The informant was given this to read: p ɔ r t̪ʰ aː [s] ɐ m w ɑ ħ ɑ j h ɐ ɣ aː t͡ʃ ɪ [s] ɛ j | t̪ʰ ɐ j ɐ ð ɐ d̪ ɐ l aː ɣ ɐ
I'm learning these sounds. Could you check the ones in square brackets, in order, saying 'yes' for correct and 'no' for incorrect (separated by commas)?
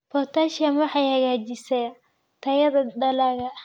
no, yes